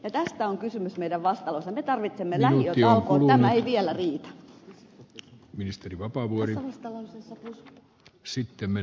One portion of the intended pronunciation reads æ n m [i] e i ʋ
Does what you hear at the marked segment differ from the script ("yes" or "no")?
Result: yes